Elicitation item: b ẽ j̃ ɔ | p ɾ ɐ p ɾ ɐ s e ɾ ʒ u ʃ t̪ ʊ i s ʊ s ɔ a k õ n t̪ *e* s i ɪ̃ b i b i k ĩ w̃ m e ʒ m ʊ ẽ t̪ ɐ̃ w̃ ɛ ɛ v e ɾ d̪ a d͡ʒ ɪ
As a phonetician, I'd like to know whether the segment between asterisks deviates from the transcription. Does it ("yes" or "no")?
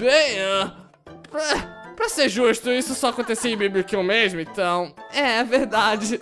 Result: no